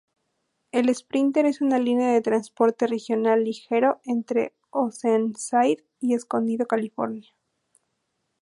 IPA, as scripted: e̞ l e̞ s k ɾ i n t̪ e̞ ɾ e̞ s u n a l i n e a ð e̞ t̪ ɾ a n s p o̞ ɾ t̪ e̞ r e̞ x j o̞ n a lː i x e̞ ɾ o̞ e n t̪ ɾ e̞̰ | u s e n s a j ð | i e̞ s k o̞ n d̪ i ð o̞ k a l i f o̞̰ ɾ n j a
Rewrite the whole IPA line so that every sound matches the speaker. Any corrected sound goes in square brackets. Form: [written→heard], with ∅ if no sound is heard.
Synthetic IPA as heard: e̞ l e̞ s [k→p] ɾ i n t̪ e̞ ɾ e̞ s u n a l i n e a ð e̞ t̪ ɾ a n s p o̞ ɾ t̪ e̞ r e̞ x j o̞ n a lː i x e̞ ɾ o̞ e n t̪ ɾ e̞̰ | [u→o] s e n s a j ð | i e̞ s k o̞ n d̪ i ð o̞ k a l i f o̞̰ ɾ n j a